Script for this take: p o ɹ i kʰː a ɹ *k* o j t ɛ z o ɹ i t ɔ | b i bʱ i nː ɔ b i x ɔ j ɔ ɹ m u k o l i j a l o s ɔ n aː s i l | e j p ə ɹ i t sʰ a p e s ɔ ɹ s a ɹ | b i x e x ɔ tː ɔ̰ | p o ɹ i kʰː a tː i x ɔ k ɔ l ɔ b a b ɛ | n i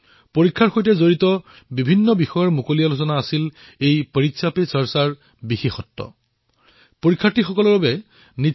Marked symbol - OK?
no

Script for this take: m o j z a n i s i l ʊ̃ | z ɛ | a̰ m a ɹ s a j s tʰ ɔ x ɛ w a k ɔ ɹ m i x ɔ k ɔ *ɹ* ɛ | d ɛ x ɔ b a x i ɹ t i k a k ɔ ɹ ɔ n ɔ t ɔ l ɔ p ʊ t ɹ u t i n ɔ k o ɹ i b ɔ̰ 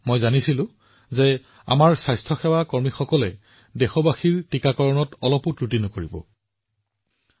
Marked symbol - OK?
no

